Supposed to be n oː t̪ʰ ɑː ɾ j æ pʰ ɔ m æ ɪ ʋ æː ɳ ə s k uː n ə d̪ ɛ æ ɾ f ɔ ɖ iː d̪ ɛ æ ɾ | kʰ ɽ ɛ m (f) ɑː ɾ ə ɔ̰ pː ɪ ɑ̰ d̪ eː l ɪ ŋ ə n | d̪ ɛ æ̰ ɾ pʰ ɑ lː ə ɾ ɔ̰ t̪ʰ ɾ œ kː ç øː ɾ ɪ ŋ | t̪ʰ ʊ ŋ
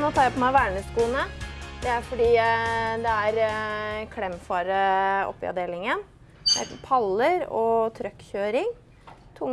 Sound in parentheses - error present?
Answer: no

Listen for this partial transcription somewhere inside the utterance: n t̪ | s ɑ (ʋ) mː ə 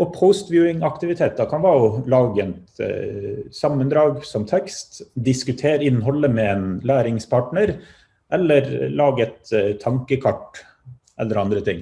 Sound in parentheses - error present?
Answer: yes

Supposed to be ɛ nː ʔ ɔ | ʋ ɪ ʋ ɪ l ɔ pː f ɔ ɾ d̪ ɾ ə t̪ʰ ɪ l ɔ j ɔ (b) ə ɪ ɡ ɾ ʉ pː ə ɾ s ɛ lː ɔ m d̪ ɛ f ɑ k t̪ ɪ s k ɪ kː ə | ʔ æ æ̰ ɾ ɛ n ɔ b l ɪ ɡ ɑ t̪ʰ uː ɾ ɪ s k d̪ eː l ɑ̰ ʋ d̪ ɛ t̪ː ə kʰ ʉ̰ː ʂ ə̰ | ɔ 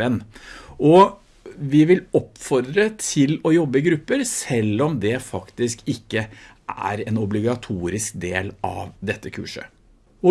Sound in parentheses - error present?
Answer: yes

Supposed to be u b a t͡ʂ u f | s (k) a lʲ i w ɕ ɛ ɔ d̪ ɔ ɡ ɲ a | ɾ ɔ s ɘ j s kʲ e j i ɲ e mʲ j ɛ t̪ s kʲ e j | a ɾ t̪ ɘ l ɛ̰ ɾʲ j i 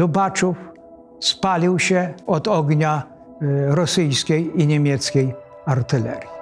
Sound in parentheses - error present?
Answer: yes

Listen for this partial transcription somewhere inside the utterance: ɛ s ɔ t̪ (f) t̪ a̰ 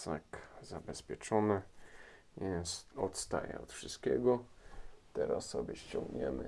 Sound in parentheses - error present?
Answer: yes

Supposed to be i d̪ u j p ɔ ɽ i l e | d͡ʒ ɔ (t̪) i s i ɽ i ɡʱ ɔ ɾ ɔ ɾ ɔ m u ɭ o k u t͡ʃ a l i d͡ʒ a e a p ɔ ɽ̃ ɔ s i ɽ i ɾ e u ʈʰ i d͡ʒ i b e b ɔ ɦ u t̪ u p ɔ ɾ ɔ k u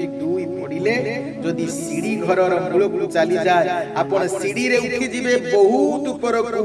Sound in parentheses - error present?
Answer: yes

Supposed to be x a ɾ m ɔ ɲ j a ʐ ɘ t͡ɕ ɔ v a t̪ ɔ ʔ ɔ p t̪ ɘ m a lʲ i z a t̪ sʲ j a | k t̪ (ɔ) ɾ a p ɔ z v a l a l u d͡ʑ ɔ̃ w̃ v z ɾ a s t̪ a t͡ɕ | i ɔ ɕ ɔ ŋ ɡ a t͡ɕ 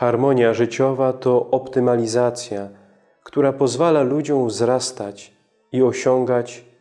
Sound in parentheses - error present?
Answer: yes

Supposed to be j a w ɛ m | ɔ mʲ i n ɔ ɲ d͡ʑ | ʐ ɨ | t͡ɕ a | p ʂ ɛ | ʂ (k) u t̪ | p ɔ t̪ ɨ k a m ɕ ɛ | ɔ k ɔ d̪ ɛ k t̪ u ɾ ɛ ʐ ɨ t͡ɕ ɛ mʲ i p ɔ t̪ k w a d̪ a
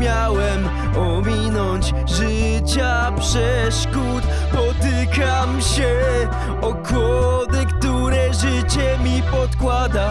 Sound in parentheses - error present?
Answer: no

